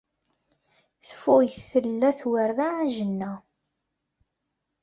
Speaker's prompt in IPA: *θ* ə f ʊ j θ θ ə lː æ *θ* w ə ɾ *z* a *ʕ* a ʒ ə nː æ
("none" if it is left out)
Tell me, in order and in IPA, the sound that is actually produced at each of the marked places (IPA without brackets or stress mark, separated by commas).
θ, θ, ð, ʕ